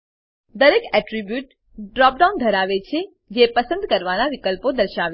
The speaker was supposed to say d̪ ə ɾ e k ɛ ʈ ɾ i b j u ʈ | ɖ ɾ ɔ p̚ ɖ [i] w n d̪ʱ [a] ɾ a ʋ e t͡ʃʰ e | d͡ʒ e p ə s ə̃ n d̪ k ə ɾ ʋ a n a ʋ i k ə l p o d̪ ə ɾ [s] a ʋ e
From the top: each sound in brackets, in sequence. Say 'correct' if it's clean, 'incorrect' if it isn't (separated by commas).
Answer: incorrect, incorrect, incorrect